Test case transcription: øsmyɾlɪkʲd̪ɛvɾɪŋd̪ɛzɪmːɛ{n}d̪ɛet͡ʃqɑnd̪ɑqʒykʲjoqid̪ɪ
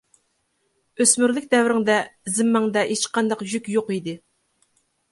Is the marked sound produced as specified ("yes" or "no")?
no